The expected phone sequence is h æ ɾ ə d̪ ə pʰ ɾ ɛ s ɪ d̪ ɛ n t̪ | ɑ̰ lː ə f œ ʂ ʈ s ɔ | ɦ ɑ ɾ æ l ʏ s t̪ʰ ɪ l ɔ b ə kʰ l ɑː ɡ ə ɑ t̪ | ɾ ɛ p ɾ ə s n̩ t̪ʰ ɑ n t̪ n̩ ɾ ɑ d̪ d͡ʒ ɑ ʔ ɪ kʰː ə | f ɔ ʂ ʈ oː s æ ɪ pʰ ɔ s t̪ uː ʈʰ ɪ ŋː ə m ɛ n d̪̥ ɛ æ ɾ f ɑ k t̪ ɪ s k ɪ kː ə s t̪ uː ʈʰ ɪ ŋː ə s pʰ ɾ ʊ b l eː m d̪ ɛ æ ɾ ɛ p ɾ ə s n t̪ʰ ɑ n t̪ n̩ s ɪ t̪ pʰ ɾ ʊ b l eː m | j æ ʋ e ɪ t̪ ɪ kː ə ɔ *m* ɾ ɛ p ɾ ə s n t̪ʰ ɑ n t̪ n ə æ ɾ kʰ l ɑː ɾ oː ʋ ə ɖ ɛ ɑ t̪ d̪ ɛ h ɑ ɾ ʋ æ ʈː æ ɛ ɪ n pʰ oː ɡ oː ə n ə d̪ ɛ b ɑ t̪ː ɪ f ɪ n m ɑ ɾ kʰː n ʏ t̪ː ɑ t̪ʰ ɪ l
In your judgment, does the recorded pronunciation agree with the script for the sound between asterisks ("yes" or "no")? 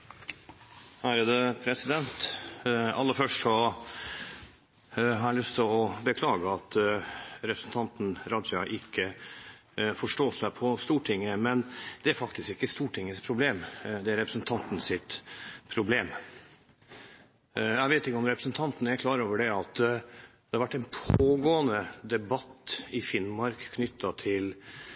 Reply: yes